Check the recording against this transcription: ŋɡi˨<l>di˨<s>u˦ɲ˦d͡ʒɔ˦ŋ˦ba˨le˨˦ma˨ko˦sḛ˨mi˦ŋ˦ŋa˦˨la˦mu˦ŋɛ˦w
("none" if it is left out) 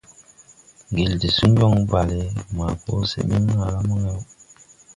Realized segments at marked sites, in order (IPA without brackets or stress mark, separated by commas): l, s